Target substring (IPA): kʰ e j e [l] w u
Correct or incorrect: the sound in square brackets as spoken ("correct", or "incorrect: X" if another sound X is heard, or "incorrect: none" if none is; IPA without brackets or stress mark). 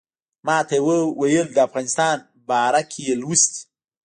correct